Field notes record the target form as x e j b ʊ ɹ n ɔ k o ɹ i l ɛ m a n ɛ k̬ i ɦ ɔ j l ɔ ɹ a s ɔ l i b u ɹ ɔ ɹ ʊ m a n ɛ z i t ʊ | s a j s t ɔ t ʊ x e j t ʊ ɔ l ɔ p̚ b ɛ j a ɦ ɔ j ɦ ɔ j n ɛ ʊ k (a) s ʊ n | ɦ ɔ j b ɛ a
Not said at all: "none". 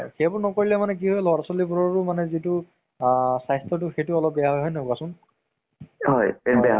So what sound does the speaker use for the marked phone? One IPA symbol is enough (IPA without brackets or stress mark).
a